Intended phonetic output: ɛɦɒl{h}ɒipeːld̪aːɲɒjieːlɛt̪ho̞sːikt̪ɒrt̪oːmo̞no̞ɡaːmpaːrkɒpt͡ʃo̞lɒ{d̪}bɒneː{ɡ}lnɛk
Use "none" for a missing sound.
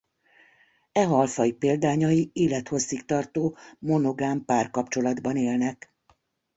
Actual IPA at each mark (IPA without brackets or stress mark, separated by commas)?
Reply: f, d̪, none